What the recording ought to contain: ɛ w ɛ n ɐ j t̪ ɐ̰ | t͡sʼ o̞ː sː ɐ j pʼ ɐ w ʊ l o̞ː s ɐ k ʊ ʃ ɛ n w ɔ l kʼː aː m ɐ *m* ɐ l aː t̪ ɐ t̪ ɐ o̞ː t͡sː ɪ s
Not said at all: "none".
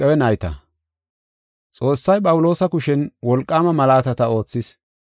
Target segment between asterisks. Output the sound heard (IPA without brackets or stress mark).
m